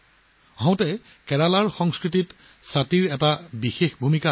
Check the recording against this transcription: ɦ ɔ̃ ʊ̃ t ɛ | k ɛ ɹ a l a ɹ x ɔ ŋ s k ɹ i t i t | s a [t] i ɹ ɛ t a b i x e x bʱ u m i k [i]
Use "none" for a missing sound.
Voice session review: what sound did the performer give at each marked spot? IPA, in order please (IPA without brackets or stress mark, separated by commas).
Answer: t, a